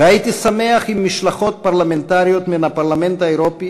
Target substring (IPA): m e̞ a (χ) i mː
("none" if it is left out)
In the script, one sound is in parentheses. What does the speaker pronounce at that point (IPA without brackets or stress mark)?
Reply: χ